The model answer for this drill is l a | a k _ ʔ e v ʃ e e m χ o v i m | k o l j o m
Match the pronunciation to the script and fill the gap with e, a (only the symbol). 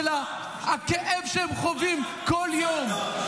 e